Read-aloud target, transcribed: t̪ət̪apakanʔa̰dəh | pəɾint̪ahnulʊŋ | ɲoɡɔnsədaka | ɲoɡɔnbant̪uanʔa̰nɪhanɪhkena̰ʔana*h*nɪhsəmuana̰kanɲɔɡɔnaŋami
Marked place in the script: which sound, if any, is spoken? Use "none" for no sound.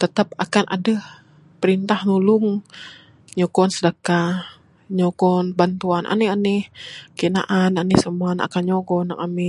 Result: none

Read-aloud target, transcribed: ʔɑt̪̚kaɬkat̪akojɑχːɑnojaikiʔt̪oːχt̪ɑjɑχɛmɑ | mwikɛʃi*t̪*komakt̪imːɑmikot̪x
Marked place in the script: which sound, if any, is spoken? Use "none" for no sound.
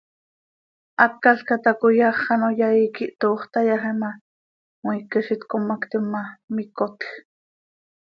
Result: t̪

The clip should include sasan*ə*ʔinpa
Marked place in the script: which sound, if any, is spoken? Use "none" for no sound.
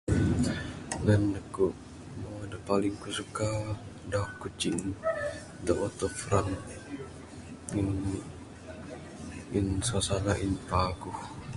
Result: a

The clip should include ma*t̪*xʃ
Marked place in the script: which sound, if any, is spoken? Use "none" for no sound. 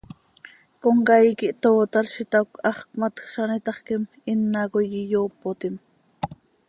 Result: t̪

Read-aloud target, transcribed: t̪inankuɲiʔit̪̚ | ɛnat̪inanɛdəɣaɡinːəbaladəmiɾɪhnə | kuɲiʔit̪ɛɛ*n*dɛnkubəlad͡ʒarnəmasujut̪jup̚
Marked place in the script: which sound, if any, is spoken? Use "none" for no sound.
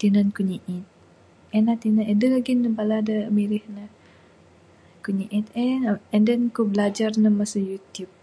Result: n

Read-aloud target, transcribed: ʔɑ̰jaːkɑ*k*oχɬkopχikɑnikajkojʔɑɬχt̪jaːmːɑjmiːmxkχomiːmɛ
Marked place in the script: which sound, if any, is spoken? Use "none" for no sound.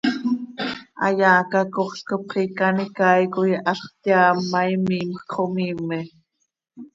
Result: k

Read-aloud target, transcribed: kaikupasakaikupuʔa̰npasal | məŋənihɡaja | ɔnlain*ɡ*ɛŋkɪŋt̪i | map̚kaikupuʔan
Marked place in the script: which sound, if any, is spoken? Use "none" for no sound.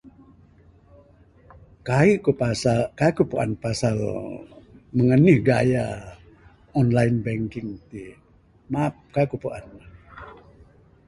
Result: b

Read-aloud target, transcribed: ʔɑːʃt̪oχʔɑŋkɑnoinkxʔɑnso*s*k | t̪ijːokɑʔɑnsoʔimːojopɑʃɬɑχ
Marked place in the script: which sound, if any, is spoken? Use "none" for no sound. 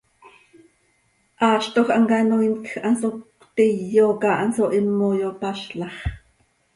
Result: none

